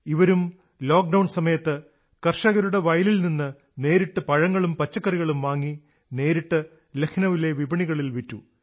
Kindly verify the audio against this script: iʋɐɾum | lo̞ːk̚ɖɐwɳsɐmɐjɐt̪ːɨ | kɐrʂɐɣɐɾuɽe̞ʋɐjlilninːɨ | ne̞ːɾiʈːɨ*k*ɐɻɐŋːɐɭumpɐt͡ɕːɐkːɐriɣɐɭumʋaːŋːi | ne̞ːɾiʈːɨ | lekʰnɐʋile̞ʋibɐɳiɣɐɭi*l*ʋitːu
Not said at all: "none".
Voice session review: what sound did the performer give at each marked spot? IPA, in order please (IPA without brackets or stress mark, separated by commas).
p, l